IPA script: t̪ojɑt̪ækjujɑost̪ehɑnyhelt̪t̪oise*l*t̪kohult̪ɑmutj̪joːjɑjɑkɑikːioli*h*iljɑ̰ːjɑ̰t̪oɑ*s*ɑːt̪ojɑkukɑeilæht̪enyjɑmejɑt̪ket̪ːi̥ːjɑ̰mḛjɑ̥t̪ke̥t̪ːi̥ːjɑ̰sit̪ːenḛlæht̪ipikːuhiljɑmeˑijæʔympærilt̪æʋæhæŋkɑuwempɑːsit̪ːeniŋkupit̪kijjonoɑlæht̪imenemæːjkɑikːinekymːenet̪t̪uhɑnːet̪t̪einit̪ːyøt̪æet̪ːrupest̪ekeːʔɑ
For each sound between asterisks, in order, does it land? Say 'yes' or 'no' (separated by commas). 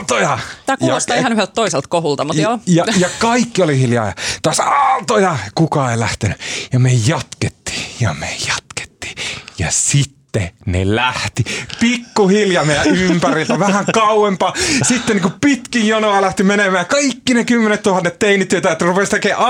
yes, yes, yes